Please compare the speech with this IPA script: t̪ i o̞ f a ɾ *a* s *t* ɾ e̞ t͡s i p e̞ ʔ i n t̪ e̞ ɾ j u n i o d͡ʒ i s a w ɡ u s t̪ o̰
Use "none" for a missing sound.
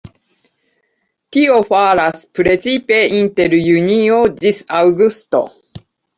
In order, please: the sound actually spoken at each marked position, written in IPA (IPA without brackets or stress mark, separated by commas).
a, p